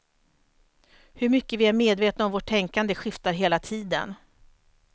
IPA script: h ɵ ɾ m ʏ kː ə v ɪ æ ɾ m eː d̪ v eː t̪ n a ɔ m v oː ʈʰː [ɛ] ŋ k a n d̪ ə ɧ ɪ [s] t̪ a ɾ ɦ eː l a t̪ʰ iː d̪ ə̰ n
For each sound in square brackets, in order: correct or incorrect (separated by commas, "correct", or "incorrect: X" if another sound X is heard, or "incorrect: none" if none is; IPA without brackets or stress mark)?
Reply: correct, incorrect: f